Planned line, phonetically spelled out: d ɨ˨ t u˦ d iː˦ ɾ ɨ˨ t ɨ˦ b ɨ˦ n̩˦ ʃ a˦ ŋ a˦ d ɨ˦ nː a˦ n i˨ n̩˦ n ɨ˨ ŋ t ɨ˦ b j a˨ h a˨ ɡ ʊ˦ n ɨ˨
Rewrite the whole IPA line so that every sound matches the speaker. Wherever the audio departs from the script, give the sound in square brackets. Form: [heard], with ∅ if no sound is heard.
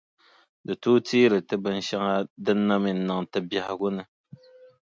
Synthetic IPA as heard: d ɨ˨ t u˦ [t] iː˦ ɾ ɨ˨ t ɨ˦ b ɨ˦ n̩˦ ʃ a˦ ŋ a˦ d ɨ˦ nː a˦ [m] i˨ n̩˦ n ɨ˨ ŋ t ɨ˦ b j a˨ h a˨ ɡ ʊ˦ n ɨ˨